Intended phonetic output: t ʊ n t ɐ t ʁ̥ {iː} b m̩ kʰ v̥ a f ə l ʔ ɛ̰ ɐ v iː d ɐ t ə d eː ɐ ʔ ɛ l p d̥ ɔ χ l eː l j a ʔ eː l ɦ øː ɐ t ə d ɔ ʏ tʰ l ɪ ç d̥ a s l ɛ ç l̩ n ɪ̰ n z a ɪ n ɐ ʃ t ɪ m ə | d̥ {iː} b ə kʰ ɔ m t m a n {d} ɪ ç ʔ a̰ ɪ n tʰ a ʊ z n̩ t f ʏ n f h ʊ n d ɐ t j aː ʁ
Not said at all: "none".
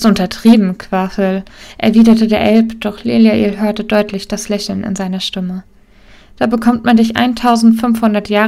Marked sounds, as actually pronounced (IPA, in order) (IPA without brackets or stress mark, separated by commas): iː, aː, d